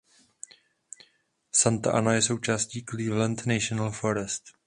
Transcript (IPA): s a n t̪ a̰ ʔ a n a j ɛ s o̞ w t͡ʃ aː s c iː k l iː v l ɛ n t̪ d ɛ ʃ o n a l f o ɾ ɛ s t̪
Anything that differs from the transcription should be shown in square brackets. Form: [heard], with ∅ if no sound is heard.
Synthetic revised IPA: s a n t̪ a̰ ʔ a n a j ɛ s o̞ w t͡ʃ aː s c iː k l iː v l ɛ n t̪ [n] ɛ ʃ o n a l f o ɾ ɛ s t̪